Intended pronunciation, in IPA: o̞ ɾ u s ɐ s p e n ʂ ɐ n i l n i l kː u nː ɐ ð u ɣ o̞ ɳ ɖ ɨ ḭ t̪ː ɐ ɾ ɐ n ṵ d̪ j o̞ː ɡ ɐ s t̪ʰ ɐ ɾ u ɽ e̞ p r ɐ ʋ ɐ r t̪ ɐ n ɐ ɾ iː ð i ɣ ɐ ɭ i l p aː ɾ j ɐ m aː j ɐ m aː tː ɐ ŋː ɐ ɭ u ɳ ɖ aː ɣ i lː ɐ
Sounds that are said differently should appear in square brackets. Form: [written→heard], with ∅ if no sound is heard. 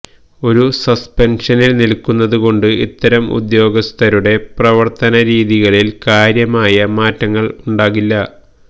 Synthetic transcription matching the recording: o̞ ɾ u s ɐ s p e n ʂ ɐ n i l n i l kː u nː ɐ ð u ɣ o̞ ɳ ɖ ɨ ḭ t̪ː ɐ ɾ ɐ [n→m] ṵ d̪ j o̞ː ɡ ɐ s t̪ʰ ɐ ɾ u ɽ e̞ p r ɐ ʋ ɐ r t̪ ɐ n ɐ ɾ iː ð i ɣ ɐ ɭ i l [p→k] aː ɾ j ɐ m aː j ɐ m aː tː ɐ ŋː ɐ ɭ u ɳ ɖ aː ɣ i lː ɐ